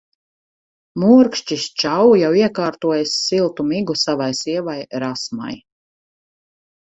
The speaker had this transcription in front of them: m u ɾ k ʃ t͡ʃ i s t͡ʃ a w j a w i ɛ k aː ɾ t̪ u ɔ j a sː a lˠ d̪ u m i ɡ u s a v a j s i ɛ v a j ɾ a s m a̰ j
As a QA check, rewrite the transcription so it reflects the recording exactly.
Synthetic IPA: m u ɾ k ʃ t͡ʃ i s t͡ʃ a w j a w i ɛ k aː ɾ t̪ u ɔ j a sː i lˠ t̪ u m i ɡ u s a v a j s i ɛ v a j ɾ a s m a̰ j